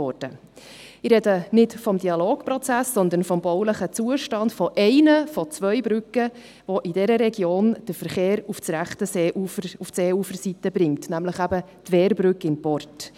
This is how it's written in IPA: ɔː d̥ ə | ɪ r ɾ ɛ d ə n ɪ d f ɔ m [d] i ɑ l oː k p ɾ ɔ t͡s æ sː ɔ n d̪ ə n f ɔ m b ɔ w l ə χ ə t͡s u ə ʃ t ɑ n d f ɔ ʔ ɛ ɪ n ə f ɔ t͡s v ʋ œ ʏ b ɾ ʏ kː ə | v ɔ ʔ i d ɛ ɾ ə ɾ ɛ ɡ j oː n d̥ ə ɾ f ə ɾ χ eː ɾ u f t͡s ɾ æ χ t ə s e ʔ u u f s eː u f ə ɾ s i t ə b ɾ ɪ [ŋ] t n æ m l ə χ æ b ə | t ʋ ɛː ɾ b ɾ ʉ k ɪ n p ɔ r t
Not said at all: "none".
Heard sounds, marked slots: d, ŋ

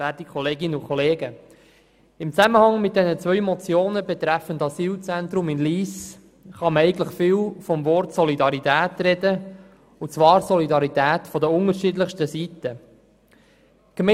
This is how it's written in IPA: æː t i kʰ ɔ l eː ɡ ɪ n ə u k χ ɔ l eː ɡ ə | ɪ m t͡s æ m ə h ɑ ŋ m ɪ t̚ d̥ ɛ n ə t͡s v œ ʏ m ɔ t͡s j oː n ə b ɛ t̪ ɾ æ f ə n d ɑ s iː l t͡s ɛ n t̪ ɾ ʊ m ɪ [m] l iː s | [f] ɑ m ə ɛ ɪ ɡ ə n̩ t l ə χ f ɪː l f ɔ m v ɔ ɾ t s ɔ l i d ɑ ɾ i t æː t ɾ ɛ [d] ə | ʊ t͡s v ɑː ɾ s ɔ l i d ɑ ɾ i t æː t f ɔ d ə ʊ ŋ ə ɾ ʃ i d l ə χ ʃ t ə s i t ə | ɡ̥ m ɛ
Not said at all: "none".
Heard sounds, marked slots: n, χ, d

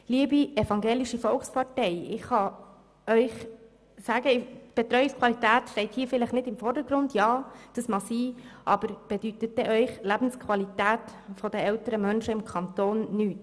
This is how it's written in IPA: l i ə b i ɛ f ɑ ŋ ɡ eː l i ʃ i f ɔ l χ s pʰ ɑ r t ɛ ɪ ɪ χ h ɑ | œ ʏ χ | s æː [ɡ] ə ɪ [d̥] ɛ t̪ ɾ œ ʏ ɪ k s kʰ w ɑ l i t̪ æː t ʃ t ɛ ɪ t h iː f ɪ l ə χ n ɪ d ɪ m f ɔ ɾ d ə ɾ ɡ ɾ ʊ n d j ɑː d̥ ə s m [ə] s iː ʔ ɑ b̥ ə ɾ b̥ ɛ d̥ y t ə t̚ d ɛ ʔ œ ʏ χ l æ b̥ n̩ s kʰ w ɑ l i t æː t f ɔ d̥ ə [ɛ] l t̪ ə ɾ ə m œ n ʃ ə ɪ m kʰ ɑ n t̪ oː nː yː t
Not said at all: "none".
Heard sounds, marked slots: ɡ, b̥, ɑ, ɛ

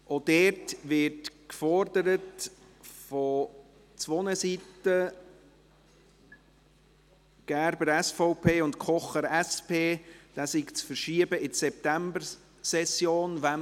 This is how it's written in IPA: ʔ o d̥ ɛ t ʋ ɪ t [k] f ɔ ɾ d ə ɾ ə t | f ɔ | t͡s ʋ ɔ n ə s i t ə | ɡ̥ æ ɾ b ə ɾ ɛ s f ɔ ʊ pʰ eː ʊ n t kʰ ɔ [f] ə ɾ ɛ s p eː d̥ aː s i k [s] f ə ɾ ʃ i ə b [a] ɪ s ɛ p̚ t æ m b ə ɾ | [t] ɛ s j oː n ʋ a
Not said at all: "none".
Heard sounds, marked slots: k, χ, t͡s, ə, s

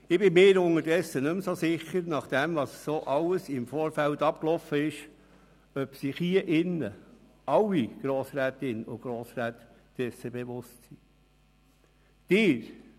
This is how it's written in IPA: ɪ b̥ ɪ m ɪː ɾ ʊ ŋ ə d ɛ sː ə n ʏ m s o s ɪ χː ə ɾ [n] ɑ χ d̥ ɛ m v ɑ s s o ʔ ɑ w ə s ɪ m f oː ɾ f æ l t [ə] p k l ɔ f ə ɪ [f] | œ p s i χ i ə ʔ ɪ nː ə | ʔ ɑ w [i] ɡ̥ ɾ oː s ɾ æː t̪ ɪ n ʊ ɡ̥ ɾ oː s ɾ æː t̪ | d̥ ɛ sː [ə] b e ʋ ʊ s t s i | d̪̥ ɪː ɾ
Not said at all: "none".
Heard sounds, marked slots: n, ɑ, ʃ, i, ə

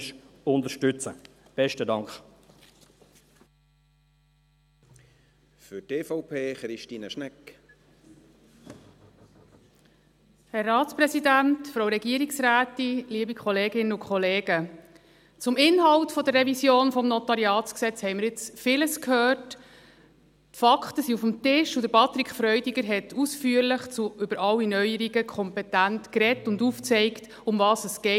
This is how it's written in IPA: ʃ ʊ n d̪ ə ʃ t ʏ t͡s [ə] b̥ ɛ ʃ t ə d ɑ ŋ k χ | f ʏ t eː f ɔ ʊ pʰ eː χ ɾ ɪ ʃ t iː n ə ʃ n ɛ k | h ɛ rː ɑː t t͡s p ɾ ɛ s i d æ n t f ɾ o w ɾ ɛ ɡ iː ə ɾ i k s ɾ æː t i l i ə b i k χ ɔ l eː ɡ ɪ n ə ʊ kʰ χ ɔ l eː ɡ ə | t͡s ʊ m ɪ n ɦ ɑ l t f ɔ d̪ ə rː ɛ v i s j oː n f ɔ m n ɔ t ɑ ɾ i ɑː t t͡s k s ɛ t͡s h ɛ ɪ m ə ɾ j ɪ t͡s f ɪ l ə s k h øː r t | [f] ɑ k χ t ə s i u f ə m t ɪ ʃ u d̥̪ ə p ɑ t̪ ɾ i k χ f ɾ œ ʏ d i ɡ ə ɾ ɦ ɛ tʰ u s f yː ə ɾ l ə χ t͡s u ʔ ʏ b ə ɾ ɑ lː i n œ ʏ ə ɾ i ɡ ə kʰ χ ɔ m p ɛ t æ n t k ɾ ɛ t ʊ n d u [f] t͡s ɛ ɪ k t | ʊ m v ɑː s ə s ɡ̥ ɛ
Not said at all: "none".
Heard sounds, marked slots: ə, f, f

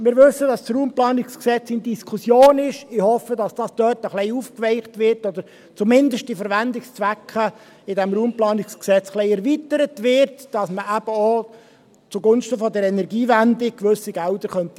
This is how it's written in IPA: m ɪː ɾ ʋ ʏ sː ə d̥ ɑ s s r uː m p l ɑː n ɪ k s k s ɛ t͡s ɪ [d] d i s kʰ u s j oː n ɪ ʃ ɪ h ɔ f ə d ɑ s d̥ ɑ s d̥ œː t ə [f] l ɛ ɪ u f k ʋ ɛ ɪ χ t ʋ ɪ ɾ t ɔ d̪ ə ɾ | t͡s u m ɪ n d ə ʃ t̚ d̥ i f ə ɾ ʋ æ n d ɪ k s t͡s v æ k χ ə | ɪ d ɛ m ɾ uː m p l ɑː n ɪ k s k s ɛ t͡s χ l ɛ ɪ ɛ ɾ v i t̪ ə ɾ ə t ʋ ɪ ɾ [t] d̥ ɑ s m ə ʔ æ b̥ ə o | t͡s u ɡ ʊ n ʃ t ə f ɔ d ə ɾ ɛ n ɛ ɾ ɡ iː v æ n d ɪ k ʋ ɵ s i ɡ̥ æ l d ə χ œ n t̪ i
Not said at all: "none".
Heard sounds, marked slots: n, χ, t

